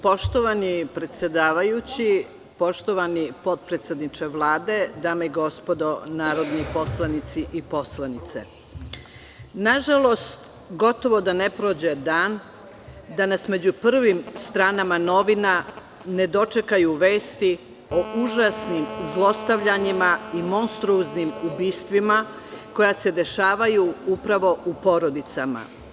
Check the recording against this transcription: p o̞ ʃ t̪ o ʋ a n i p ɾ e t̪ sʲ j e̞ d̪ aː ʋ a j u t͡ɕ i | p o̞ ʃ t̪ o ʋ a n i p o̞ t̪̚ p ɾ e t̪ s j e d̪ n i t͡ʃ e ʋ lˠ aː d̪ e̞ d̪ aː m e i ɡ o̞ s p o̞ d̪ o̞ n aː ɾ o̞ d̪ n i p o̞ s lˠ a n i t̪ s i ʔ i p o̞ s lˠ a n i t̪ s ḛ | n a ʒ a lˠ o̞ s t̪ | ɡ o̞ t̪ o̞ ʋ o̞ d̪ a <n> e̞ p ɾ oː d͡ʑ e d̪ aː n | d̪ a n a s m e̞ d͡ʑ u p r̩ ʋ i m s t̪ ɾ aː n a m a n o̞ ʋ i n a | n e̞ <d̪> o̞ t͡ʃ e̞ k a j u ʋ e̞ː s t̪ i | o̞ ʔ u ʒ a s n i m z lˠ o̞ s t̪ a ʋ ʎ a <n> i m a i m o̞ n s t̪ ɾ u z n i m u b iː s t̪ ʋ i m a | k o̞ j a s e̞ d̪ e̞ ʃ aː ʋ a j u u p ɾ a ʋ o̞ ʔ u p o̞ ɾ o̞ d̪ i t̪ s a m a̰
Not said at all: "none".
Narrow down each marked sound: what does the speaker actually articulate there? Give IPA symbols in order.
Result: n, d̪, ɲ

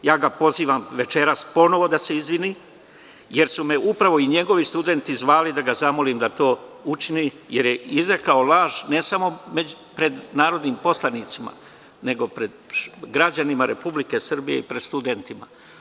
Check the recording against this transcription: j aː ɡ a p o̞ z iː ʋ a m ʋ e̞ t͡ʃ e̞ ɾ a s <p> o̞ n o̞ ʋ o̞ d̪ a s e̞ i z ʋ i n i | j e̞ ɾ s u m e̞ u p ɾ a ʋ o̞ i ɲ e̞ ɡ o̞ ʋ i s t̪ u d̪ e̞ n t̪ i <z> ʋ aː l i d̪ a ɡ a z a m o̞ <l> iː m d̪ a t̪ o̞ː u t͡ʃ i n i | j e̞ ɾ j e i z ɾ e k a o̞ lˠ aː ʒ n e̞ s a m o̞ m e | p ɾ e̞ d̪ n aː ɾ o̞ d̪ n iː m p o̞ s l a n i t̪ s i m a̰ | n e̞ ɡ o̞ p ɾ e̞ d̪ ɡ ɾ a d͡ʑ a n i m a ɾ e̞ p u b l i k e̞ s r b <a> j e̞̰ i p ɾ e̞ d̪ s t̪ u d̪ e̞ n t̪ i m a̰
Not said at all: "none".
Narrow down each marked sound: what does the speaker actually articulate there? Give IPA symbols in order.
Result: p, z, l, i

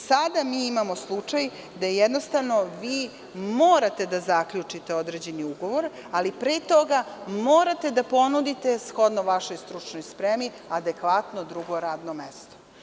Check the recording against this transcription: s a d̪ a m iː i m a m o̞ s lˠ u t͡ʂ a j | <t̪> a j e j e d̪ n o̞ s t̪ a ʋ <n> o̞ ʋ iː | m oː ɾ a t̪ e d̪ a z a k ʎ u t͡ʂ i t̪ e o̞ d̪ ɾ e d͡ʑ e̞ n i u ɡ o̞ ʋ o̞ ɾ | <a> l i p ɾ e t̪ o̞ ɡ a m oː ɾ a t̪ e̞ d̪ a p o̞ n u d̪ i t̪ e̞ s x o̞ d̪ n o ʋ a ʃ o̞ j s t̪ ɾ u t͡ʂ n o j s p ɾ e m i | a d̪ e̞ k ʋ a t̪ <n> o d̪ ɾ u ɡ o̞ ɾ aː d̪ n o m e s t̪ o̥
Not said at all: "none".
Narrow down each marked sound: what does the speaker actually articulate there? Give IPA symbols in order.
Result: d̪, n, a, n

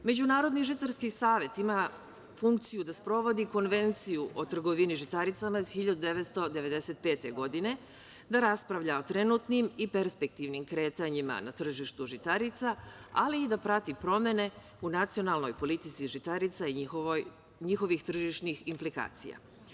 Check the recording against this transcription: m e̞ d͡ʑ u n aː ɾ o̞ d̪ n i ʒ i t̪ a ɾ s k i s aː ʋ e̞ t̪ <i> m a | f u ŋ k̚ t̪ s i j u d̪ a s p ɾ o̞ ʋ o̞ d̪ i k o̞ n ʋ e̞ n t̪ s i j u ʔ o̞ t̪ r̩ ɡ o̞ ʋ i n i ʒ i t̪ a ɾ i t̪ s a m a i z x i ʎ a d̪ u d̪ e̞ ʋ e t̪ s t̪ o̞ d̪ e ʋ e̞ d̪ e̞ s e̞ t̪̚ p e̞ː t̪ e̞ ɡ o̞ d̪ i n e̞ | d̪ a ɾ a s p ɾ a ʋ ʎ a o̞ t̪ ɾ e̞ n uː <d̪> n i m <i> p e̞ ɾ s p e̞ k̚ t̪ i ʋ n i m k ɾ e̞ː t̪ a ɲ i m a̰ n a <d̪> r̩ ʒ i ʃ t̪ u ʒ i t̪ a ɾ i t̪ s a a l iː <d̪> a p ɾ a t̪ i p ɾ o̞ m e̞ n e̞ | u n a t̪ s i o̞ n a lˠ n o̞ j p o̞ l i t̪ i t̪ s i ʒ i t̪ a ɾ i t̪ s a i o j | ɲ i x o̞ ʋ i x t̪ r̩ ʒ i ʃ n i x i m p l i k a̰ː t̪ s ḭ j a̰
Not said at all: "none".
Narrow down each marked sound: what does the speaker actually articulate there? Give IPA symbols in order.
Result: i, t̪, i, t̪, d̪

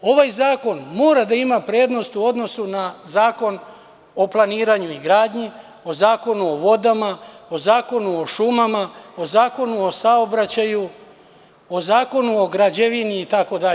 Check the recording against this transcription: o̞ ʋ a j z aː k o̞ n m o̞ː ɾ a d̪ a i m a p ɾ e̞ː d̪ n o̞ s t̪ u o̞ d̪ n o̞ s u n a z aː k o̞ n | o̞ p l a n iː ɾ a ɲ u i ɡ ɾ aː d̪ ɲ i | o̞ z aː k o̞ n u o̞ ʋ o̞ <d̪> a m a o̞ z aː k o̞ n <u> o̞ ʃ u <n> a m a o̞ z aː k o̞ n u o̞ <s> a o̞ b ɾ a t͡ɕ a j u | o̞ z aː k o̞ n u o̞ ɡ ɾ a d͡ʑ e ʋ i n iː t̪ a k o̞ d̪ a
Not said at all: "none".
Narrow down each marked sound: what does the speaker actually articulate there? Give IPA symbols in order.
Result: d̪, u, m, s

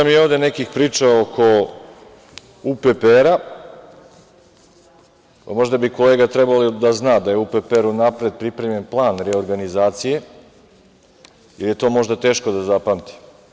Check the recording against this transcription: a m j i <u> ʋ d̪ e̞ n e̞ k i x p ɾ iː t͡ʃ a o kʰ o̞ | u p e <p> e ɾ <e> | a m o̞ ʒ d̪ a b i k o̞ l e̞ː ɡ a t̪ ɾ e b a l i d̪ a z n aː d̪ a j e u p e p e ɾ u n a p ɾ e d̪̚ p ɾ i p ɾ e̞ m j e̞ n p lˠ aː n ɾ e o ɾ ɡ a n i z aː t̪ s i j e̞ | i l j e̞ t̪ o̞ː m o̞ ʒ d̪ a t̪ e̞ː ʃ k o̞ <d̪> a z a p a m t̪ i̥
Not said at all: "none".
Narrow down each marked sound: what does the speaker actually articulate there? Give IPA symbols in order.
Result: o, p, a, d̪

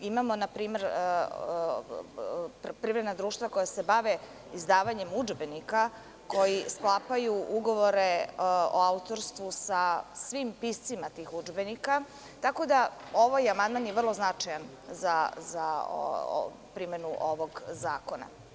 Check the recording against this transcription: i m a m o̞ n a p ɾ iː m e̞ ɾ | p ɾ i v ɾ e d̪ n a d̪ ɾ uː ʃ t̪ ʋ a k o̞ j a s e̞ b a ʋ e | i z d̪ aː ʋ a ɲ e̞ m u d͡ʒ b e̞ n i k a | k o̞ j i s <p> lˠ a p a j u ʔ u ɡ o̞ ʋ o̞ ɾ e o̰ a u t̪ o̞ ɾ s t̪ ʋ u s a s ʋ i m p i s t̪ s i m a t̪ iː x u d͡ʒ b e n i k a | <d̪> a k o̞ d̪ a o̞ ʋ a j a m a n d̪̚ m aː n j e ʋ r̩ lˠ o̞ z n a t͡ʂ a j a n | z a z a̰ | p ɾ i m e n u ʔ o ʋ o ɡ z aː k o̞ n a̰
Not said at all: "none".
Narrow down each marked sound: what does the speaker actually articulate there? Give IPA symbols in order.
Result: k, t̪

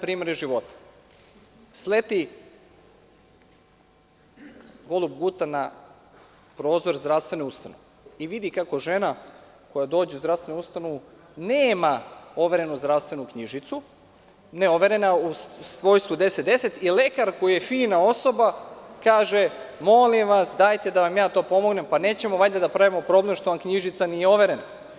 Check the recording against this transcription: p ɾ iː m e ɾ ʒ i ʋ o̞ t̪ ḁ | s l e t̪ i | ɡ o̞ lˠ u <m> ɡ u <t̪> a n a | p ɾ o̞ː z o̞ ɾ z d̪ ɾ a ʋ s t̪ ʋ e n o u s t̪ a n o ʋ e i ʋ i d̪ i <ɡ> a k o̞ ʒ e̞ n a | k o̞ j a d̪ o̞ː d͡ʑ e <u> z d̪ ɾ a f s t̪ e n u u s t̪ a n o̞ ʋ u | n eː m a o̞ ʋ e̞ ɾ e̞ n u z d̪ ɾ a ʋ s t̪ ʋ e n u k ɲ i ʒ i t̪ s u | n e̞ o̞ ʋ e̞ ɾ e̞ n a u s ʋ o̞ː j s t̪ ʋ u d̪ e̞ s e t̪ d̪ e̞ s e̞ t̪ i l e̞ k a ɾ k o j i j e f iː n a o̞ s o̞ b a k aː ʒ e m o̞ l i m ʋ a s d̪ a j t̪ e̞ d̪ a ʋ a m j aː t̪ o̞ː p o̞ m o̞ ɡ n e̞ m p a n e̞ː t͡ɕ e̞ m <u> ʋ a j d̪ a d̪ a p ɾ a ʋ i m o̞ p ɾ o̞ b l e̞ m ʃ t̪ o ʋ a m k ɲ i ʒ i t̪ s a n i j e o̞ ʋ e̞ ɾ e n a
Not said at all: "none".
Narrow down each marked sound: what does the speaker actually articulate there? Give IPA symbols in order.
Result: b, t̪, k, u, o

